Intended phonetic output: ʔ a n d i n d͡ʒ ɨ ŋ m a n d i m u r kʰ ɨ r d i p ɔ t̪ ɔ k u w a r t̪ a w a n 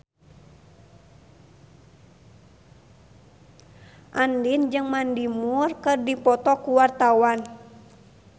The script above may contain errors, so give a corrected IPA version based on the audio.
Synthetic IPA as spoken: ʔ a n d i n d͡ʒ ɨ ŋ m a n d i m u r k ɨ r d i p ɔ t̪ ɔ k u w a r t̪ a w a n